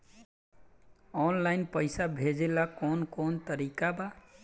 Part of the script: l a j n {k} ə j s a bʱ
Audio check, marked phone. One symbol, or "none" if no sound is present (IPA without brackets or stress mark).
p